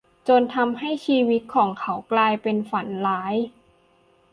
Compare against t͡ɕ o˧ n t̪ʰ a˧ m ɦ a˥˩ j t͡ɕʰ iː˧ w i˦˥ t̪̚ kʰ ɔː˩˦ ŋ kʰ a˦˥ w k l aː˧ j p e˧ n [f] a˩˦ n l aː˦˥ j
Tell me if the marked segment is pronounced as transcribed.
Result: yes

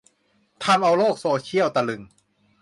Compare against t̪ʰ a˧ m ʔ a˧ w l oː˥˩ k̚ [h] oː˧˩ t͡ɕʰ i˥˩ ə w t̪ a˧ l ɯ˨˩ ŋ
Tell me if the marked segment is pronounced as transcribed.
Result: no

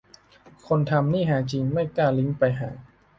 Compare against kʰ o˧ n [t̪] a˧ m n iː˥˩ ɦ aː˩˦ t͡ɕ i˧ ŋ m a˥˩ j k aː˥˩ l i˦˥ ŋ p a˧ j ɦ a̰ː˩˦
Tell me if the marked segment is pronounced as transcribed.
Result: no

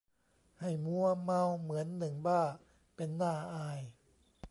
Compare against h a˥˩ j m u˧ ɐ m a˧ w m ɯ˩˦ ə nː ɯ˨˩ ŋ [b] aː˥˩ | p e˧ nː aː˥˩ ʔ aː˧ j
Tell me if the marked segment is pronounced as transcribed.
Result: yes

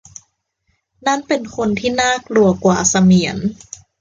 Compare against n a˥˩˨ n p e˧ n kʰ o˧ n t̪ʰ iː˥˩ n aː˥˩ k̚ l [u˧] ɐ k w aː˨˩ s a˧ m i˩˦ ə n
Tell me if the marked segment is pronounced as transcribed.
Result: yes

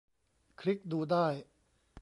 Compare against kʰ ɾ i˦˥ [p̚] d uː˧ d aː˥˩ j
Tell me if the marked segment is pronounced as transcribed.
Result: no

